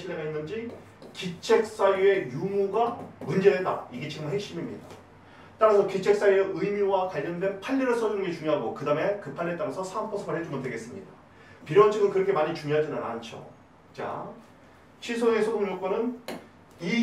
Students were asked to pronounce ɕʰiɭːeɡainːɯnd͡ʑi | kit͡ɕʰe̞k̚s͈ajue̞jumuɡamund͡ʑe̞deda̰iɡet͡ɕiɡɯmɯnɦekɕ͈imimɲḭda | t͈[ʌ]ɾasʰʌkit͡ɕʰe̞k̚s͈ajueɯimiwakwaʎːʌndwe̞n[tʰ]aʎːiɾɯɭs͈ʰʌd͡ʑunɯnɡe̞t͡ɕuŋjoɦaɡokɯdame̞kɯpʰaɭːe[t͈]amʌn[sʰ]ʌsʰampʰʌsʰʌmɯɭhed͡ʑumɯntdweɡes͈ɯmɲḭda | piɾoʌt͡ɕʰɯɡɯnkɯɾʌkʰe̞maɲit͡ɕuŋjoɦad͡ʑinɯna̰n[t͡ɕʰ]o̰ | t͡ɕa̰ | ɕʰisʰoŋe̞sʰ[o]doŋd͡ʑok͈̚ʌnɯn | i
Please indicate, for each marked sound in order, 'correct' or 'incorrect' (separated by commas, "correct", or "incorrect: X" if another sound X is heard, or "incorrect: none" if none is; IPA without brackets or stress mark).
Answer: incorrect: a, incorrect: pʰ, correct, correct, correct, correct